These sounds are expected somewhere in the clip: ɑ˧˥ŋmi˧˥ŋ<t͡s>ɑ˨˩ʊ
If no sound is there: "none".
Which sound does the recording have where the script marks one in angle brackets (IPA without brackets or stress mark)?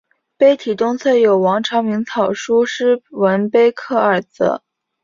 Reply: t͡sʰ